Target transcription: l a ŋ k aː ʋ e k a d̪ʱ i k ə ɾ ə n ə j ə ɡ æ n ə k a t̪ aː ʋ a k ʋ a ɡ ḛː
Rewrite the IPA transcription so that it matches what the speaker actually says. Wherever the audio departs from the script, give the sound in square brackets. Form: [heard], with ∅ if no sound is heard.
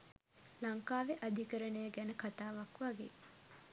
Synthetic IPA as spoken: l a ŋ k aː ʋ e [ʔ] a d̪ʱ i k ə ɾ ə n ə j ə ɡ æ n ə k a t̪ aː ʋ a k ʋ a ɡ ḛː